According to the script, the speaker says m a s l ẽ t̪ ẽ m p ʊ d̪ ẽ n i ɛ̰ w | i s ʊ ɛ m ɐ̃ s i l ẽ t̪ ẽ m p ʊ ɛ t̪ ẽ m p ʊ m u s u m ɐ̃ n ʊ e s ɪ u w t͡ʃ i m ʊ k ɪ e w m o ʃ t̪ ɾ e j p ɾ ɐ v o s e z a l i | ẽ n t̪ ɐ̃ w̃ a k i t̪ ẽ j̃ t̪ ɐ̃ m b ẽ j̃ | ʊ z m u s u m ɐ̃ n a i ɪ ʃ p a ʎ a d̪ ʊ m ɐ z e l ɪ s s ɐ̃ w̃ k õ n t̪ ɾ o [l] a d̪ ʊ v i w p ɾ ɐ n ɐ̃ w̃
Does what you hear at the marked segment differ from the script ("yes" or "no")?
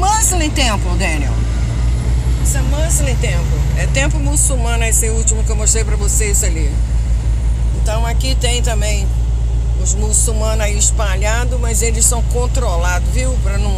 no